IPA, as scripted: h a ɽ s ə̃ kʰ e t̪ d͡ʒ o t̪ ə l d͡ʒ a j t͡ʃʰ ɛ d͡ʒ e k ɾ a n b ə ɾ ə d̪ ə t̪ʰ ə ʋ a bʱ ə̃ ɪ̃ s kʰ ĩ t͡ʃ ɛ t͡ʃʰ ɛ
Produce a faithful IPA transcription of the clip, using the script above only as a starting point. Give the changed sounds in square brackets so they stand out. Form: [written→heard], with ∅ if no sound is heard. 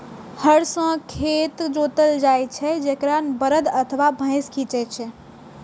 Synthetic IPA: h [a→ə] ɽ s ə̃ kʰ e t̪ d͡ʒ o t̪ ə l d͡ʒ a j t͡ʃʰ ɛ d͡ʒ e k ɾ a n b ə ɾ ə d̪ ə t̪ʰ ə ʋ a bʱ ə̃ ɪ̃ s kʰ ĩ t͡ʃ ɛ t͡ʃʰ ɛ